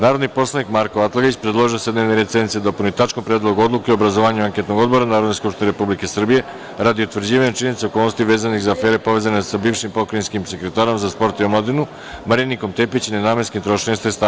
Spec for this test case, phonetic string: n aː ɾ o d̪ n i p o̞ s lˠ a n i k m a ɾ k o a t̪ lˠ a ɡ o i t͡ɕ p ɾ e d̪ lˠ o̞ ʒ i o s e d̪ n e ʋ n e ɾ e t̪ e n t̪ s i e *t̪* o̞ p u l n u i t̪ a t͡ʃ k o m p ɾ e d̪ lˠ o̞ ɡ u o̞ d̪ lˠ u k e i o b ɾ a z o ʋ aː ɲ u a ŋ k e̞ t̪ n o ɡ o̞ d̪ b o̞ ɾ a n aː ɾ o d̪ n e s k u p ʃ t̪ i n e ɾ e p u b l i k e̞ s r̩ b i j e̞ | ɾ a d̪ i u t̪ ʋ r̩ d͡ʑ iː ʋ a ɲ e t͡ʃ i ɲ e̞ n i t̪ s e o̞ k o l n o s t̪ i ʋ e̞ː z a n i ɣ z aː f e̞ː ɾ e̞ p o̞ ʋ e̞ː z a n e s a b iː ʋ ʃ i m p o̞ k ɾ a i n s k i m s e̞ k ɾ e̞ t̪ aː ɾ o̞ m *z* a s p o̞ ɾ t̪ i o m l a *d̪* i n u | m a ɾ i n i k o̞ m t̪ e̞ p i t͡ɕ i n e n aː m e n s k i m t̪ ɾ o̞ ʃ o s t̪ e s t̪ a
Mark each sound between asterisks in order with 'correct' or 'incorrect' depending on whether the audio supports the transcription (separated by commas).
incorrect, correct, correct